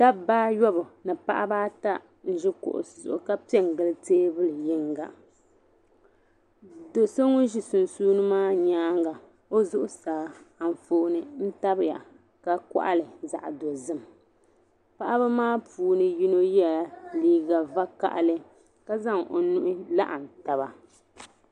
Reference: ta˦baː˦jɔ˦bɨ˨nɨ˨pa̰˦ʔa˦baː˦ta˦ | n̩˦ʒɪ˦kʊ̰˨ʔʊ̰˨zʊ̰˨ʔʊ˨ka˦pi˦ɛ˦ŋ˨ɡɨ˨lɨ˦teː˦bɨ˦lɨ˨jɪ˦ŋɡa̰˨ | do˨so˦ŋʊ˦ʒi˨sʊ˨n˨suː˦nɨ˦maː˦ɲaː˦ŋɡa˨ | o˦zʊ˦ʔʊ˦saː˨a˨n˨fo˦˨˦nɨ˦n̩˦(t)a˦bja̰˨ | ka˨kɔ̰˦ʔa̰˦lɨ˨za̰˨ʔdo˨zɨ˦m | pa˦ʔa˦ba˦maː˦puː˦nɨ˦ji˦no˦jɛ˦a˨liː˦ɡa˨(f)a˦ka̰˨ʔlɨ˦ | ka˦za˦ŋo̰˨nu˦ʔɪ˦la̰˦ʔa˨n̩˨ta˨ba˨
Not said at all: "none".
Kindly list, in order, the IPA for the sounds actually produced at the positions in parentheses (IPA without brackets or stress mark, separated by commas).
t, v